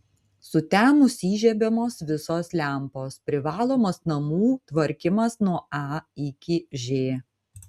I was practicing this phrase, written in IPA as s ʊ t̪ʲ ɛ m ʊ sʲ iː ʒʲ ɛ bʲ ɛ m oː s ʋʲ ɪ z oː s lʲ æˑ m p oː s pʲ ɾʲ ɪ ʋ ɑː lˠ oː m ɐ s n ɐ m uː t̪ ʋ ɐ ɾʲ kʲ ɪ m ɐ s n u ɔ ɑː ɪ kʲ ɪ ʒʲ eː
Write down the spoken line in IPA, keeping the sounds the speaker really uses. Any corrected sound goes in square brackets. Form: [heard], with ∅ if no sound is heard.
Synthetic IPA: s ʊ t̪ʲ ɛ m ʊ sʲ iː ʒʲ ɛ bʲ ɛ m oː s ʋʲ ɪ [s] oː s lʲ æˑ m p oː s pʲ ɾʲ ɪ ʋ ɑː lˠ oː m ɐ s n ɐ m uː t̪ ʋ ɐ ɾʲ kʲ ɪ m ɐ s n u ɔ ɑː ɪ kʲ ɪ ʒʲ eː

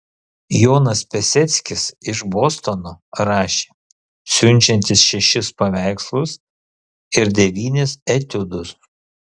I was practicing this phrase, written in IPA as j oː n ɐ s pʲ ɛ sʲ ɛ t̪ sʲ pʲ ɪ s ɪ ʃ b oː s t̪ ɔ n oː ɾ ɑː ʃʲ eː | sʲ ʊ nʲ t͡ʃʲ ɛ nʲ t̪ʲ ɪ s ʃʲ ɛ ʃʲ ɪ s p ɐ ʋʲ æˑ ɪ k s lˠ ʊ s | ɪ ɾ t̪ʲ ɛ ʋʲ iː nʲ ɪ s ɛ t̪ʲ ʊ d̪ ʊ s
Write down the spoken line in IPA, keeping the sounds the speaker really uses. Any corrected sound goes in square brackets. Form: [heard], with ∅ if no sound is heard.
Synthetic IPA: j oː n ɐ s pʲ ɛ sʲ ɛ t̪ sʲ [kʲ] ɪ s ɪ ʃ b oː s t̪ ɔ n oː ɾ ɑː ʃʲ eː | sʲ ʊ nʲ t͡ʃʲ ɛ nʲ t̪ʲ ɪ s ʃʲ ɛ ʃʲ ɪ s p ɐ ʋʲ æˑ ɪ k s lˠ ʊ s | ɪ ɾ [d̪ʲ] ɛ ʋʲ iː nʲ ɪ s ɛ t̪ʲ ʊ d̪ ʊ s

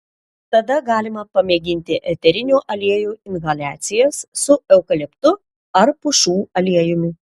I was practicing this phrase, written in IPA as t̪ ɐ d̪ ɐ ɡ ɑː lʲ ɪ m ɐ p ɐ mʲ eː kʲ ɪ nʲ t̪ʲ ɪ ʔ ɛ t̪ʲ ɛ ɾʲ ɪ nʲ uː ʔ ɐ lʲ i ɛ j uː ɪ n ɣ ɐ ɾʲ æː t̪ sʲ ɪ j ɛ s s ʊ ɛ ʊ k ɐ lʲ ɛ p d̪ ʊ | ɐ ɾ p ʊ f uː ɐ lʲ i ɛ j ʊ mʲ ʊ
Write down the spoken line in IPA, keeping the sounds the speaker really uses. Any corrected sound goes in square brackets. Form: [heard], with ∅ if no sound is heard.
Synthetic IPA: t̪ ɐ d̪ ɐ ɡ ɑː lʲ ɪ m ɐ p ɐ mʲ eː [ɡʲ] ɪ nʲ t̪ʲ ɪ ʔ ɛ t̪ʲ ɛ ɾʲ ɪ nʲ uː ʔ ɐ lʲ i ɛ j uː ɪ n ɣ ɐ [lʲ] æː t̪ sʲ ɪ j ɛ s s ʊ ɛ ʊ k ɐ lʲ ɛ p [t̪] ʊ | ɐ ɾ p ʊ [ʃ] uː ɐ lʲ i ɛ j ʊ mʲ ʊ

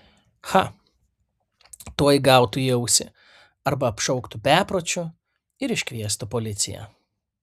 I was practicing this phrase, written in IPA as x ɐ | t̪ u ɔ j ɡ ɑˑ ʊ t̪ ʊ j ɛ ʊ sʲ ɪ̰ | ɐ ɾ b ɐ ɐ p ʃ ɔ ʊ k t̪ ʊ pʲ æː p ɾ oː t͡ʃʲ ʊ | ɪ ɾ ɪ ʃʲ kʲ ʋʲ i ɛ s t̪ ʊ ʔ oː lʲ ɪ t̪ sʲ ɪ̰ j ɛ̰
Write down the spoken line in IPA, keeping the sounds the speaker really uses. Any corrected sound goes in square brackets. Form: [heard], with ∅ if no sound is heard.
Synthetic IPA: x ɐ | t̪ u ɔ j ɡ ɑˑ ʊ t̪ ʊ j ɛ ʊ sʲ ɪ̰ | ɐ ɾ b ɐ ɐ p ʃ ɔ ʊ k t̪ ʊ pʲ æː p ɾ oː t͡ʃʲ ʊ | ɪ ɾ ɪ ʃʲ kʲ ʋʲ i ɛ s t̪ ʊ [p] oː lʲ ɪ t̪ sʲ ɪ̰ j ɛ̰

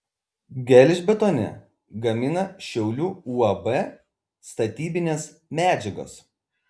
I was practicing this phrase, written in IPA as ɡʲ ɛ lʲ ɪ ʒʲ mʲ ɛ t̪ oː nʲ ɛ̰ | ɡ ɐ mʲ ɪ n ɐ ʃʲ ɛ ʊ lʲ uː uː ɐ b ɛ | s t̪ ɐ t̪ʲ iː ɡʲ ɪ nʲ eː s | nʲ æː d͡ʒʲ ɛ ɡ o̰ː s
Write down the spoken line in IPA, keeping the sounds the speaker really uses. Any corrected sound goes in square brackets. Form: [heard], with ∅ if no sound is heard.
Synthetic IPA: ɡʲ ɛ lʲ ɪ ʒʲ [bʲ] ɛ t̪ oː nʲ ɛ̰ | ɡ ɐ mʲ ɪ n ɐ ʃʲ ɛ ʊ lʲ uː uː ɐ b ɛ | s t̪ ɐ t̪ʲ iː [bʲ] ɪ nʲ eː s | [mʲ] æː d͡ʒʲ ɛ ɡ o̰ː s

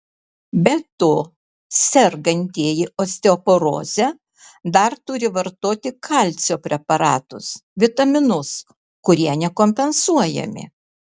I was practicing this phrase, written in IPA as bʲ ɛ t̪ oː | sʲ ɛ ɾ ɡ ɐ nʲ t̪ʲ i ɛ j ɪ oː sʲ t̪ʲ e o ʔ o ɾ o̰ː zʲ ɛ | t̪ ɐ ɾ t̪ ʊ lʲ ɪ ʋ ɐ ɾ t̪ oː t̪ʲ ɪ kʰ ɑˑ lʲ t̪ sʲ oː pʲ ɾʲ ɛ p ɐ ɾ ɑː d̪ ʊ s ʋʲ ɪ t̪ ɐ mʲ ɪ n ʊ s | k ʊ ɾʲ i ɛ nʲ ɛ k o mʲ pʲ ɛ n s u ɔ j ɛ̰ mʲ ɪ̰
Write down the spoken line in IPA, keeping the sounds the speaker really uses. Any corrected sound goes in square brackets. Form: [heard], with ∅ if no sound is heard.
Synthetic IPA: bʲ ɛ t̪ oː | sʲ ɛ ɾ ɡ ɐ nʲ t̪ʲ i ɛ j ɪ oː sʲ t̪ʲ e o [p] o ɾ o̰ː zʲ ɛ | [d̪] ɐ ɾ t̪ ʊ [ɾʲ] ɪ ʋ ɐ ɾ t̪ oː t̪ʲ ɪ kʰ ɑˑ lʲ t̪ sʲ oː pʲ ɾʲ ɛ p ɐ ɾ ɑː [t̪] ʊ s ʋʲ ɪ t̪ ɐ mʲ ɪ n ʊ s | k ʊ ɾʲ i ɛ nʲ ɛ k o mʲ pʲ ɛ n s u ɔ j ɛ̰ mʲ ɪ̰

